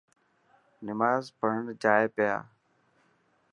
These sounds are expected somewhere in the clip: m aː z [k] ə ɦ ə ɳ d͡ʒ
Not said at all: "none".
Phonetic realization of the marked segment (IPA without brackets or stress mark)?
p